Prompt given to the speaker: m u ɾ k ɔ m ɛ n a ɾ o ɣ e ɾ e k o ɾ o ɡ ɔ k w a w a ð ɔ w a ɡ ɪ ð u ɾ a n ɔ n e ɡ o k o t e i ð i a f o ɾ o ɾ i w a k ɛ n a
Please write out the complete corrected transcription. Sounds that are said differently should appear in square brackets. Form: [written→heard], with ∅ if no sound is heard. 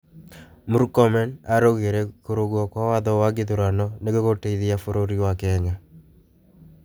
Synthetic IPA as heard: m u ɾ k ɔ m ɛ n a ɾ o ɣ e ɾ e k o ɾ o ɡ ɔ k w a w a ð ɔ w a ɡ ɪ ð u ɾ a n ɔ n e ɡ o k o t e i ð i a f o ɾ o ɾ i w a k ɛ [n→ɲ] a